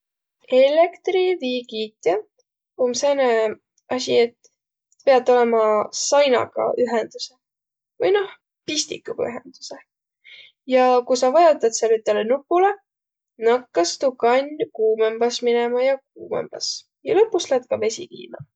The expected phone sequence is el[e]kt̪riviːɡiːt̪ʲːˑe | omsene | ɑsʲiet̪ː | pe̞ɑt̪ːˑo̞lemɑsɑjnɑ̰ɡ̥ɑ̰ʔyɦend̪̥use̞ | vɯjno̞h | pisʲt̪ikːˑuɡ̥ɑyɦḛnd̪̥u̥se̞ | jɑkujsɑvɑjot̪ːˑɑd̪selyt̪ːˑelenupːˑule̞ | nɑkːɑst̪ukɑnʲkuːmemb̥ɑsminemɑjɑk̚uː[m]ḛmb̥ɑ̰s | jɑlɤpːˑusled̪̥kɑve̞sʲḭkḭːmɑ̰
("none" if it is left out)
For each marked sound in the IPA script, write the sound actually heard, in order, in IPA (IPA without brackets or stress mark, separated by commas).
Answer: e, m